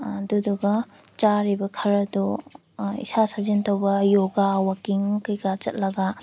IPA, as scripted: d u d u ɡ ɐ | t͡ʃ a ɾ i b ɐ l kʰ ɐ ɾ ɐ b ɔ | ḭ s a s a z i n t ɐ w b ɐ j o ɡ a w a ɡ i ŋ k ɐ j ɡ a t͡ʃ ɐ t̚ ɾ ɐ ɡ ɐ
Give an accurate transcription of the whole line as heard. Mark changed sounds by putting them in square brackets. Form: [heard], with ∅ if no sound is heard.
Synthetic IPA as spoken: d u d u ɡ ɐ | t͡ʃ a ɾ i b ɐ [∅] kʰ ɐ ɾ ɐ [d] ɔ | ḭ s a s a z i n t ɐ w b ɐ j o ɡ a w a [k] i ŋ k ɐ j ɡ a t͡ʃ ɐ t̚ [l] ɐ ɡ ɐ